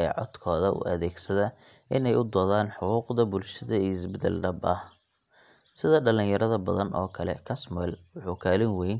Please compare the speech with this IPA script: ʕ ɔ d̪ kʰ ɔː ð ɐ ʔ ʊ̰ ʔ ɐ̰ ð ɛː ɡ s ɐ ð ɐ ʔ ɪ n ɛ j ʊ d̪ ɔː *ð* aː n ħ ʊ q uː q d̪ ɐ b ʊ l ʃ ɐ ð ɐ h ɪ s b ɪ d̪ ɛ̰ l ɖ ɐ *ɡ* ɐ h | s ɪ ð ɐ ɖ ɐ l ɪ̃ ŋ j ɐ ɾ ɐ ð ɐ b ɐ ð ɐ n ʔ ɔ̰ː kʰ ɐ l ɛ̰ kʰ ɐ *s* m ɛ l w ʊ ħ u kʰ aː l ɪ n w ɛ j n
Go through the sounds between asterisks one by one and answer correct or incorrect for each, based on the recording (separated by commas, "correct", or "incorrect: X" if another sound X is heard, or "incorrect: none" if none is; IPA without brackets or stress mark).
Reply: correct, incorrect: b, correct